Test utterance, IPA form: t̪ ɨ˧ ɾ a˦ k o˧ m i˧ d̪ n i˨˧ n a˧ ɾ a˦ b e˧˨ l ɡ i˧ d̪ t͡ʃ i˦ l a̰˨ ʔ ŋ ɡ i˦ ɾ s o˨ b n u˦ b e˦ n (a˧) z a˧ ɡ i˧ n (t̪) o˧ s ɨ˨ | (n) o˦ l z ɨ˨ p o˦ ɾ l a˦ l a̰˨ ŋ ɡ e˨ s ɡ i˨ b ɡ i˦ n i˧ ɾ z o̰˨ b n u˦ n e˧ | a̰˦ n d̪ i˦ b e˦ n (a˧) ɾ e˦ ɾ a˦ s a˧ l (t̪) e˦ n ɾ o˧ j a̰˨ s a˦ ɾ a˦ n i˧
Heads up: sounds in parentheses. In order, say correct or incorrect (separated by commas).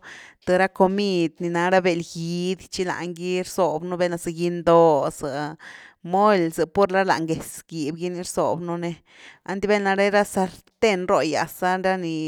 correct, incorrect, incorrect, correct, correct